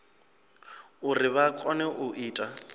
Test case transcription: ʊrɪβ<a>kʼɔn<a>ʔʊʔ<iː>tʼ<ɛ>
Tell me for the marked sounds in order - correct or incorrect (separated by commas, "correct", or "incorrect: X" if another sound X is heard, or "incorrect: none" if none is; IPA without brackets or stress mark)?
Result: correct, incorrect: ɛ, correct, incorrect: a